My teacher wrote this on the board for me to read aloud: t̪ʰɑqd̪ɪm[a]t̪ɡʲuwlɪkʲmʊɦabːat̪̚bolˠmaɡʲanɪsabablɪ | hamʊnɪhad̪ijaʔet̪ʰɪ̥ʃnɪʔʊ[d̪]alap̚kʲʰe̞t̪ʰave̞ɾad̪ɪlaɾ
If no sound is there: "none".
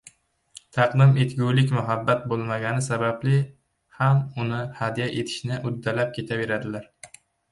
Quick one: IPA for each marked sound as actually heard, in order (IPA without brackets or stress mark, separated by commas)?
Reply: e, d̪ː